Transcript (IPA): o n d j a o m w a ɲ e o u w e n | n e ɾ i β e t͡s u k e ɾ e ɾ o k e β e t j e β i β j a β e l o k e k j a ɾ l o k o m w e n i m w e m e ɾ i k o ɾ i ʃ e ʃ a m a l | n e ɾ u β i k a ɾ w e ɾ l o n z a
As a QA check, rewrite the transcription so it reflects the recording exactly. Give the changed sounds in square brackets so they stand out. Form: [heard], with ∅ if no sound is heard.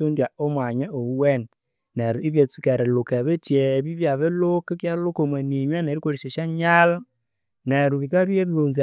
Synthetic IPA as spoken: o n d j a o m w a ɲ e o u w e n | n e ɾ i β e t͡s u k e ɾ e [l] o k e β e t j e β i β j a β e l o k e k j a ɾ l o k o m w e n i [ɲ] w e [n] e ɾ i k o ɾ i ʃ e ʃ a [ɲ] a l | n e ɾ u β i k a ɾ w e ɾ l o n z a